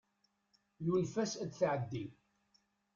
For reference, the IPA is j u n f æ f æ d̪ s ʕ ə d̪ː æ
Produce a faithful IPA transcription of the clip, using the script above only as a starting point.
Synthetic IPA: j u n f æ s æ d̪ θ ʕ ə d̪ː i